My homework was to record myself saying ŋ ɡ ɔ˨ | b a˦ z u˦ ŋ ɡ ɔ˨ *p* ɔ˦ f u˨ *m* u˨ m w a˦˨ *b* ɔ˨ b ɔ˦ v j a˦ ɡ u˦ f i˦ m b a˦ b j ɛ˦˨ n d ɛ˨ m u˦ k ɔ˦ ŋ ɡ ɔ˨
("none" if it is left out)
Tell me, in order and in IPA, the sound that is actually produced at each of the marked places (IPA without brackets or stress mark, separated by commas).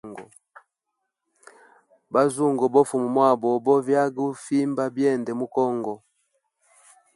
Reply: b, m, b